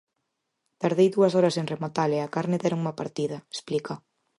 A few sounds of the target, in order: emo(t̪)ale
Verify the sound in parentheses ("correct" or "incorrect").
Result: correct